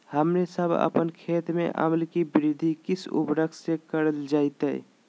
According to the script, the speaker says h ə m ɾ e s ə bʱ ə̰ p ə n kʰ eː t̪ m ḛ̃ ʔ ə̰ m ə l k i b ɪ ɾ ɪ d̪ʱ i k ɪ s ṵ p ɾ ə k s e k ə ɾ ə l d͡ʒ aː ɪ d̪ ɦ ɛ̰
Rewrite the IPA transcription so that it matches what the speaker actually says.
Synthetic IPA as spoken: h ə m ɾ e s ə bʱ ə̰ p ə n kʰ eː t̪ m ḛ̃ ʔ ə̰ m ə l k i b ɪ ɾ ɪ d̪ʱ i k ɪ s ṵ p ɾ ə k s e k ə ɾ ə l d͡ʒ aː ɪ t̪ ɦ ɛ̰